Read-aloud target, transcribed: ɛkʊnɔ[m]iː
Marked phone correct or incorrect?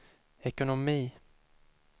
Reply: correct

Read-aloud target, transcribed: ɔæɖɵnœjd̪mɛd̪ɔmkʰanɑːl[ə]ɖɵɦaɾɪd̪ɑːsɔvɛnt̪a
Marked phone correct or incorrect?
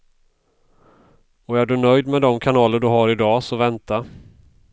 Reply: correct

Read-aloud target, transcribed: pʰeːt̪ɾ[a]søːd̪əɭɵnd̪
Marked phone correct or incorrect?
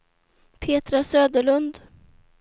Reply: correct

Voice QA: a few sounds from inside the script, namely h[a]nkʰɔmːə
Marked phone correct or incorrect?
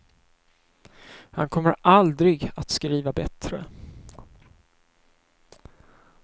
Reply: correct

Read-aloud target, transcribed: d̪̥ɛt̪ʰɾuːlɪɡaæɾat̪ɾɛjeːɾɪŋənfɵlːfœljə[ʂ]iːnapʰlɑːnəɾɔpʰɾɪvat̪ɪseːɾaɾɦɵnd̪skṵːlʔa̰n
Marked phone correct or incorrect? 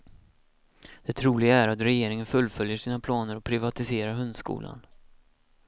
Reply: correct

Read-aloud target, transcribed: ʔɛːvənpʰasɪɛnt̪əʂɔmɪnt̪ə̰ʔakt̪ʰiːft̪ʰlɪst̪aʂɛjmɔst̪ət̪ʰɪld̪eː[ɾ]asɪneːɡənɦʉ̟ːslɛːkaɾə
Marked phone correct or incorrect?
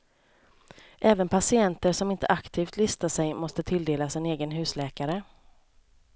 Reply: incorrect: l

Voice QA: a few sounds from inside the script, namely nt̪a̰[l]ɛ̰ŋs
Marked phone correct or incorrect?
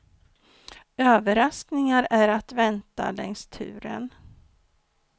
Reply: correct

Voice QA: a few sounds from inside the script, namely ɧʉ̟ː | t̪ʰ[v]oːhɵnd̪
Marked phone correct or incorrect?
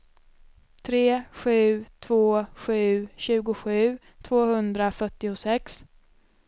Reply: correct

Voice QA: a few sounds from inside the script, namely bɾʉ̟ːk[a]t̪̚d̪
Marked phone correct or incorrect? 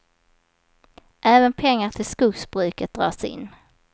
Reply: incorrect: ə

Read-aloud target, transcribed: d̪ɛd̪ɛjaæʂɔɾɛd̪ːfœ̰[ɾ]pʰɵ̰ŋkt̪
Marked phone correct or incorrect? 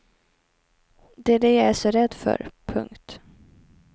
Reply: correct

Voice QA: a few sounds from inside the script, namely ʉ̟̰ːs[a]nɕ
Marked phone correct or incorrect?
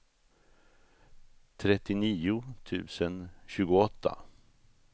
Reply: incorrect: ə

